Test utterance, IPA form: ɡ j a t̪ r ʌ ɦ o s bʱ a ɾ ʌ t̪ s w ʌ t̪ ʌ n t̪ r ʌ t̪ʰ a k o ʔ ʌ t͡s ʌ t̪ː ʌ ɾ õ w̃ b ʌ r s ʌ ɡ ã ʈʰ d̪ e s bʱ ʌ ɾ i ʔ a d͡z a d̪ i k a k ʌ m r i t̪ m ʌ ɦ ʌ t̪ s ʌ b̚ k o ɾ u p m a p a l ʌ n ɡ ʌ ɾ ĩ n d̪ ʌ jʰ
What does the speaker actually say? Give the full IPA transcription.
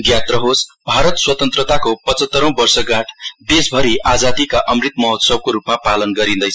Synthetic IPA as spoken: ɡ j a t̪ r ʌ ɦ o s bʱ a ɾ ʌ t̪ s w ʌ t̪ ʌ n t̪ r ʌ t̪ a k o p ʌ t͡s ʌ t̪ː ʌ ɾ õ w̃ b ʌ r s ʌ ɡ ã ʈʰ d̪ e s bʱ ʌ ɾ i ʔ a d͡z a d̪ i k a ʔ ʌ m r i t̪ m ʌ ɦ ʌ t̪ s ʌ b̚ k o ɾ u p m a p a l ʌ n ɡ ʌ ɾ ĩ n d̪ ʌ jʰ